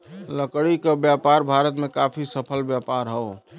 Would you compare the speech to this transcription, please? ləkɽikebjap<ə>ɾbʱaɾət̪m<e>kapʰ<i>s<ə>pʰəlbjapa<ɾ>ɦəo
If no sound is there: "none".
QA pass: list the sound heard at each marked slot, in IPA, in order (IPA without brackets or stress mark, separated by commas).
a, e, i, ə, ɾ